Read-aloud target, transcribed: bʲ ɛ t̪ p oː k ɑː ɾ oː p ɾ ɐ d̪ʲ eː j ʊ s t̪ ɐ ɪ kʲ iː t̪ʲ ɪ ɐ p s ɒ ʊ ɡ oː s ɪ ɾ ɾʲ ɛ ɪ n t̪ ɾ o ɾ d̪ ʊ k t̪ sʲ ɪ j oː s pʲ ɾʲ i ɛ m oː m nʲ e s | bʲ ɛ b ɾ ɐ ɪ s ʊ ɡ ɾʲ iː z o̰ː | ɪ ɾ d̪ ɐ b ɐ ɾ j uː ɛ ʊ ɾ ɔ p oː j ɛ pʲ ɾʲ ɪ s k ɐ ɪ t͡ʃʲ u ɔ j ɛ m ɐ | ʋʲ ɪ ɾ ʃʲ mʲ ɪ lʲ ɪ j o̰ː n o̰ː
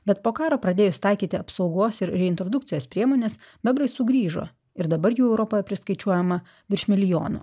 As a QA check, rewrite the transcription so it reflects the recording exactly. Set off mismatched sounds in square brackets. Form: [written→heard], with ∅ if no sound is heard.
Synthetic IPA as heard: bʲ ɛ t̪ p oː k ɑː ɾ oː p ɾ ɐ d̪ʲ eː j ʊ s t̪ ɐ ɪ kʲ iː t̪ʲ ɪ ɐ p s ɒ ʊ ɡ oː s ɪ ɾ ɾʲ ɛ ɪ n t̪ ɾ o [ɾ→∅] d̪ ʊ k t̪ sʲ ɪ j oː s pʲ ɾʲ i ɛ m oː [m→∅] nʲ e s | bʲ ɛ b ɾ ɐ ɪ s ʊ ɡ ɾʲ iː [z→ʒ] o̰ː | ɪ ɾ d̪ ɐ b ɐ ɾ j uː ɛ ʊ ɾ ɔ p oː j ɛ pʲ ɾʲ ɪ s k ɐ ɪ t͡ʃʲ u ɔ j ɛ m ɐ | ʋʲ ɪ ɾ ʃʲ mʲ ɪ lʲ ɪ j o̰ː n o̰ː